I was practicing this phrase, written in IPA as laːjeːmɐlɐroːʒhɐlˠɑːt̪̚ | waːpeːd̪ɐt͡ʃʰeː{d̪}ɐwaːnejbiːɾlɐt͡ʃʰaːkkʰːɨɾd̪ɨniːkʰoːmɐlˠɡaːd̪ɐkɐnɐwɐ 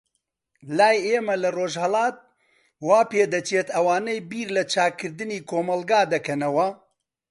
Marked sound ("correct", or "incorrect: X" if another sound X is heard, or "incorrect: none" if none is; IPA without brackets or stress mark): incorrect: t̪